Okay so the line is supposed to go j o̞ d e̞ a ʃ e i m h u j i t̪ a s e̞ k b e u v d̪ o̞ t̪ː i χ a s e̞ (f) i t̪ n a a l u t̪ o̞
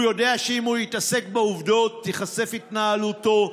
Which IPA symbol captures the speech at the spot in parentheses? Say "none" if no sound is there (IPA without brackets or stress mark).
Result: f